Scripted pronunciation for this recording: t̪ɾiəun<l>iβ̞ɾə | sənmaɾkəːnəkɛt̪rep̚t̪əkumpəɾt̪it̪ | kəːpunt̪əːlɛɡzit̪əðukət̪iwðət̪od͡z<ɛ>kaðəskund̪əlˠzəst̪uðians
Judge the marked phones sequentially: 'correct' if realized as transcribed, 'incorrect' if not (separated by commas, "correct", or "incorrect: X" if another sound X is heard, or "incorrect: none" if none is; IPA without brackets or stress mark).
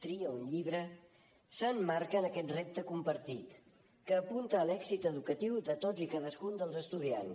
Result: incorrect: ʎ, incorrect: i